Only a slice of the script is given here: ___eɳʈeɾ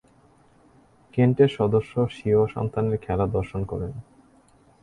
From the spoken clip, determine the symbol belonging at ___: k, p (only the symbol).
k